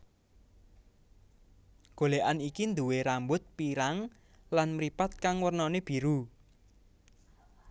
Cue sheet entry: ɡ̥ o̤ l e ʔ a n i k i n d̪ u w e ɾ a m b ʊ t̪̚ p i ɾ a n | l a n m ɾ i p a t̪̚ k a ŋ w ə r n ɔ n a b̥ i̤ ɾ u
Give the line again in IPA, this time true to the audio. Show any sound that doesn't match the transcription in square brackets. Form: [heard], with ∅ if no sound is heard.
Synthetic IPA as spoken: ɡ̥ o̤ l e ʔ a n i k i n d̪ u w e ɾ a m b ʊ t̪̚ p i ɾ a [ŋ] | l a n m ɾ i p a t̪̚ k a ŋ w ə r n ɔ n [e] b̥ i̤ ɾ u